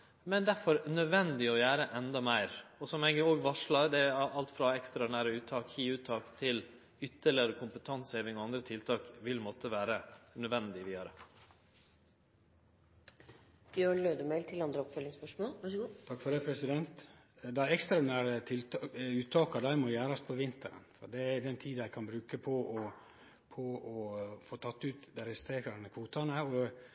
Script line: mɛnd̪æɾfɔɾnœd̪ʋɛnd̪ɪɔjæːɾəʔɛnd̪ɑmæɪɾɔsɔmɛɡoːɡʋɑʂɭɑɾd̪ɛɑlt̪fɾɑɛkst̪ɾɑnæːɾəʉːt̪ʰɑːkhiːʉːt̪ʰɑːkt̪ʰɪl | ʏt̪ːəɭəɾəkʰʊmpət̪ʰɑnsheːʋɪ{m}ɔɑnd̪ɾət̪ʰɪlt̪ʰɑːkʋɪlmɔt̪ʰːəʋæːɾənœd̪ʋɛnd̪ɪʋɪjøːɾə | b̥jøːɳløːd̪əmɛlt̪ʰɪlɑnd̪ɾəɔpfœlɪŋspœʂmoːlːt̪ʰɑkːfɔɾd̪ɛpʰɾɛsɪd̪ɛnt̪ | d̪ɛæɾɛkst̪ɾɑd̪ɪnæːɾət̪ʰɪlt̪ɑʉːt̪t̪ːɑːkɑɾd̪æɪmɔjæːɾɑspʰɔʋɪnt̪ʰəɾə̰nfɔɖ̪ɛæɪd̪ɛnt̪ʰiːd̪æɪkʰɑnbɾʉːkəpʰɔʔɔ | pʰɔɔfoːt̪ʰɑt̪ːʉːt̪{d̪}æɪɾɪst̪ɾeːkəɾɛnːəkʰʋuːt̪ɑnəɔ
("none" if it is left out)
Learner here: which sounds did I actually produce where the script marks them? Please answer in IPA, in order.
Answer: ŋ, d̪

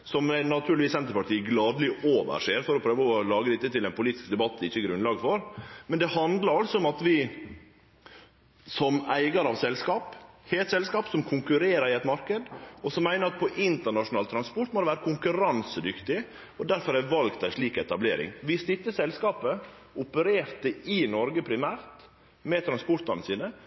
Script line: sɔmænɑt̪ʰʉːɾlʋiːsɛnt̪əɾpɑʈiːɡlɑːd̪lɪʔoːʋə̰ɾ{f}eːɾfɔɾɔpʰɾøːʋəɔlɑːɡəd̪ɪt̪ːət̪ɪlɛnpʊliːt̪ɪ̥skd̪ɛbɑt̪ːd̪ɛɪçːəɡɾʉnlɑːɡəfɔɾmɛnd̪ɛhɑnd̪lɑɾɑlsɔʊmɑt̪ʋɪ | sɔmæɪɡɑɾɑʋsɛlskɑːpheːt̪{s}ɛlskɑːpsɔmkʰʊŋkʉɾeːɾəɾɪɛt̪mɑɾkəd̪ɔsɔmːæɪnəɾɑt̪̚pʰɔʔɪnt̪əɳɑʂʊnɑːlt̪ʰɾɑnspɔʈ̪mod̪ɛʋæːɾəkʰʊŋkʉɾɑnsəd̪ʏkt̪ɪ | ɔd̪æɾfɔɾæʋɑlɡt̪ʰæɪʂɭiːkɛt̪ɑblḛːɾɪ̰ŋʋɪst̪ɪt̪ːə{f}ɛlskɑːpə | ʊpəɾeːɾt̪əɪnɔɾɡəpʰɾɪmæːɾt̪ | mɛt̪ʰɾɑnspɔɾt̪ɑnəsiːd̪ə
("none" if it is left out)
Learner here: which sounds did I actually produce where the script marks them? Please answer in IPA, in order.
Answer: ʂ, s, s

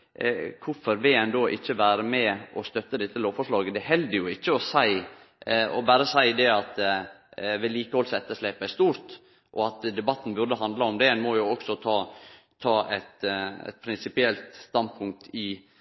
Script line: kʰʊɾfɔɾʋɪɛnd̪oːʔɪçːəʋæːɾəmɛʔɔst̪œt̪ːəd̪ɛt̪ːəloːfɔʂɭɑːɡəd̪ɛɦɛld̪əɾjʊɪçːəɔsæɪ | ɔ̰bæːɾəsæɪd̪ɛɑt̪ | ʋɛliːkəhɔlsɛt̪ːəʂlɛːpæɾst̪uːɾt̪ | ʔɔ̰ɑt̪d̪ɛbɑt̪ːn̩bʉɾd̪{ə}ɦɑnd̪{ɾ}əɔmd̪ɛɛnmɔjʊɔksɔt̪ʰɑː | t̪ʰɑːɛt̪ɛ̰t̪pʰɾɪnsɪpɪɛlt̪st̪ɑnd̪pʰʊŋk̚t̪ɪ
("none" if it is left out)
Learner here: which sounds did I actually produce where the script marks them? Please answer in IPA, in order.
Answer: ə, l

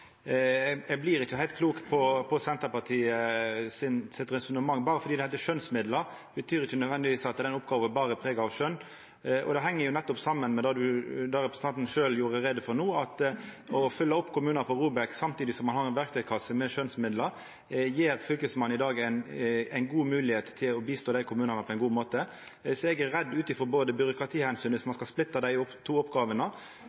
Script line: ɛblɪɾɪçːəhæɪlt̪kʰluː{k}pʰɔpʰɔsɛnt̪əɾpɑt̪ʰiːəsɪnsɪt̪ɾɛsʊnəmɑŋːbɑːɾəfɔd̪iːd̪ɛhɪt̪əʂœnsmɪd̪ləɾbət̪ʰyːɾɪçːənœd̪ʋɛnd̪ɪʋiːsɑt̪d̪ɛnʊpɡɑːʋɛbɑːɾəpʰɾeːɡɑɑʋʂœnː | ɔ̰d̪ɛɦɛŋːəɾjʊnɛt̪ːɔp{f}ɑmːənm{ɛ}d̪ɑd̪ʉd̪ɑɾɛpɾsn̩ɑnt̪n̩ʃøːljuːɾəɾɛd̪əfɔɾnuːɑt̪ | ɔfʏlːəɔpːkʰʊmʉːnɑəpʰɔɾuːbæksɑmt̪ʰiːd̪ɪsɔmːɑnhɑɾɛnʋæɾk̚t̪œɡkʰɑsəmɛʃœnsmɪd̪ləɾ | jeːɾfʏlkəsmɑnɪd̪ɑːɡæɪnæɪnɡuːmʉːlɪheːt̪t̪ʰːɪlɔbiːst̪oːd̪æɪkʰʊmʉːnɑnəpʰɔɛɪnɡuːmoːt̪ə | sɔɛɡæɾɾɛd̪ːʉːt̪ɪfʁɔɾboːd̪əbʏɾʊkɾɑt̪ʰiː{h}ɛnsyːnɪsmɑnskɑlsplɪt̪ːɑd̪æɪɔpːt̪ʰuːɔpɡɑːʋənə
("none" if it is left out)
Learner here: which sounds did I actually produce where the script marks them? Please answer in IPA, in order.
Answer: k, s, ɛ, h

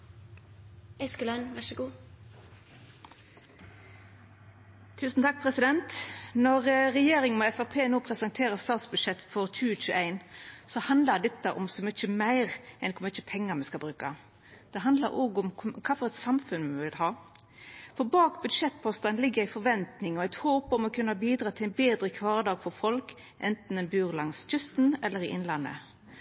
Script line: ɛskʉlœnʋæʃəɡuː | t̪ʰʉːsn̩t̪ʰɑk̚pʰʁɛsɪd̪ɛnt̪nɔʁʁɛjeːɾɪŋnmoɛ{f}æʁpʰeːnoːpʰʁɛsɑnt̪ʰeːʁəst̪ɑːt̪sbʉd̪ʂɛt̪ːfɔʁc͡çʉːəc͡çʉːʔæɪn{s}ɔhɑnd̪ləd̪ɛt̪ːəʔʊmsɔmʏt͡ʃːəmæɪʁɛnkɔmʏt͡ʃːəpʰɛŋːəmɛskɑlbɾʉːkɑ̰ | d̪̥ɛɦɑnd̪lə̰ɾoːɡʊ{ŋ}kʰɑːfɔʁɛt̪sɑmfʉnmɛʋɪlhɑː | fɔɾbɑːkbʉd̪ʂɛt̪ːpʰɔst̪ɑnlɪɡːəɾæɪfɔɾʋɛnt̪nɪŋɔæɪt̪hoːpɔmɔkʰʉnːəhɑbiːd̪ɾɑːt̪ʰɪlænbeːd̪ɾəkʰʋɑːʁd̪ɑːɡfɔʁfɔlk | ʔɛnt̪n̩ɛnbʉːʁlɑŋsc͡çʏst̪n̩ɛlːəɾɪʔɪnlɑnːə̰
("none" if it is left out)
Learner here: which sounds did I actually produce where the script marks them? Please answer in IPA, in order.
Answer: f, s, m

